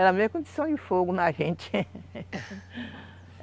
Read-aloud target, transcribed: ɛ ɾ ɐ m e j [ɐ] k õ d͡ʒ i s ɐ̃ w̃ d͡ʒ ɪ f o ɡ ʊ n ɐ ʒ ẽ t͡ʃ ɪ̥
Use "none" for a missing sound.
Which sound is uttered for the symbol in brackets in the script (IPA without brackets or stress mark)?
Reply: ɐ